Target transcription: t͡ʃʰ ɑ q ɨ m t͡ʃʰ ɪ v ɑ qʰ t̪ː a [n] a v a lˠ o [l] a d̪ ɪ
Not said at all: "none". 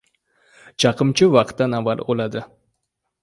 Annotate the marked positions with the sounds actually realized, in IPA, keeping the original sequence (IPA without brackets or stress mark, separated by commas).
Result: n, l